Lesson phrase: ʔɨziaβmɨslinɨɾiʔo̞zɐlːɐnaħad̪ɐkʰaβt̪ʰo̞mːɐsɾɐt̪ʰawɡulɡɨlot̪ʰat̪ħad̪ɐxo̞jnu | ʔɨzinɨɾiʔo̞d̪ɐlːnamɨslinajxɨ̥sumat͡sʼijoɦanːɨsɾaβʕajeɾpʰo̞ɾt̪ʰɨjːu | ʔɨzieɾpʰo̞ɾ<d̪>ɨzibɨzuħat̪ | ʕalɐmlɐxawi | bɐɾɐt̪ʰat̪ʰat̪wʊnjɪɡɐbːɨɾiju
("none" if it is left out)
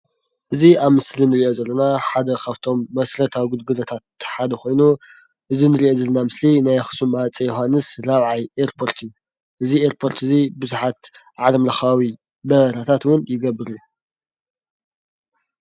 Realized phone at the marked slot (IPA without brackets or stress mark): t̪